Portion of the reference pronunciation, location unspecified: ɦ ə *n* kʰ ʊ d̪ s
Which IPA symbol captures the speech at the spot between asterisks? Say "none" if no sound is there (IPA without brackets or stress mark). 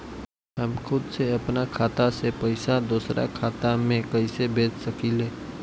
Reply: m